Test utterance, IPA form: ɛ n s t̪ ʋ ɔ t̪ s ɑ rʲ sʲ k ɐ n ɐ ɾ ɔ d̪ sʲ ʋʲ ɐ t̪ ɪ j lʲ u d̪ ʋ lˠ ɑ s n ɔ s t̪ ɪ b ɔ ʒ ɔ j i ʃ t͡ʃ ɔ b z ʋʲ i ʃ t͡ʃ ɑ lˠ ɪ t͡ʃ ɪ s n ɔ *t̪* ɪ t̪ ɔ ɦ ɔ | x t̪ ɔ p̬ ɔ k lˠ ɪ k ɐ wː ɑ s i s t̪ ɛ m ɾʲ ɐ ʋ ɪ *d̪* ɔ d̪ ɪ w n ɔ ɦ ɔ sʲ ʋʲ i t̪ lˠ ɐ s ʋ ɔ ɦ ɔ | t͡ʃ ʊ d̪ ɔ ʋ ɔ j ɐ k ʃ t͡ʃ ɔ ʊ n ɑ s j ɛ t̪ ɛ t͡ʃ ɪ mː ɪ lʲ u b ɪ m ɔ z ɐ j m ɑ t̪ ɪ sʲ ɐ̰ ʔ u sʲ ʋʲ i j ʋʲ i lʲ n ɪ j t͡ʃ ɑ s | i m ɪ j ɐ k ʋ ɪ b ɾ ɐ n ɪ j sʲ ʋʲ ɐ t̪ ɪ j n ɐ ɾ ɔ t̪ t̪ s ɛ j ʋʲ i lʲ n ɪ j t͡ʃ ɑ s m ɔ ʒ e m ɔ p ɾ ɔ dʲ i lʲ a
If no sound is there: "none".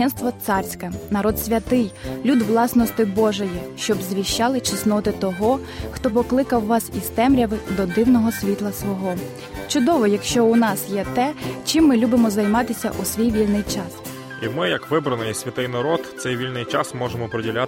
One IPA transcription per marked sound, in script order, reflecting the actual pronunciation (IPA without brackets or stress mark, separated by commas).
t̪, d̪